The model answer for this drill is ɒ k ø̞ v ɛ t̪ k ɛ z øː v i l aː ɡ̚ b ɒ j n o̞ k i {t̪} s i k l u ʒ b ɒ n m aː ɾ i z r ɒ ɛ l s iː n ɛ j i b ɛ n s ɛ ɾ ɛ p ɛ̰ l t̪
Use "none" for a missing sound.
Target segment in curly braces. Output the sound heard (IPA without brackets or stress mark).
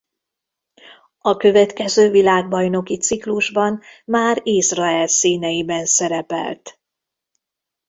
t̪